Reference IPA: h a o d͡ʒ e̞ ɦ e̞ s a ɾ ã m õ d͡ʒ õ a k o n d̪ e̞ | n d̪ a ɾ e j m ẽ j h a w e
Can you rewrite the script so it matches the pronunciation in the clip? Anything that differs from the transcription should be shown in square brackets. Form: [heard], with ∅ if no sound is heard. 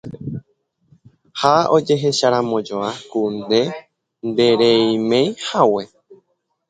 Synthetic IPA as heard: h a o d͡ʒ e̞ ɦ e̞ [ʃ] a ɾ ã m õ d͡ʒ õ a k [u] n d̪ e̞ | n d̪ [e] ɾ e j m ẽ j h a w e